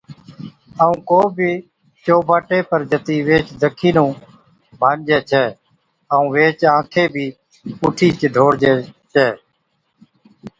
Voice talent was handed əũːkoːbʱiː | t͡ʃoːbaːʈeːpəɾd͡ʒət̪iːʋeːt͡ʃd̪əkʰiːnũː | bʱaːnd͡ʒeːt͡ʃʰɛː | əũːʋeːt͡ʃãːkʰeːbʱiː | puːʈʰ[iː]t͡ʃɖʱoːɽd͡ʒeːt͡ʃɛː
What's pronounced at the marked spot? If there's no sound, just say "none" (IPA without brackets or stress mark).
iː